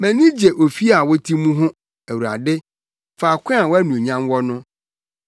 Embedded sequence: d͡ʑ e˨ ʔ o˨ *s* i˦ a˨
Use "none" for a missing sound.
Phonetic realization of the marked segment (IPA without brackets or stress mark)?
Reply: f